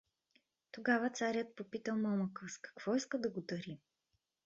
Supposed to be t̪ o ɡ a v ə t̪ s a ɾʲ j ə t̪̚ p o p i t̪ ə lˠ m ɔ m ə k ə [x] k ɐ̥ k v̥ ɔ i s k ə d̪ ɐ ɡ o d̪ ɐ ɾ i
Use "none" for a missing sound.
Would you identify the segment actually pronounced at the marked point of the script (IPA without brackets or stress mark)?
s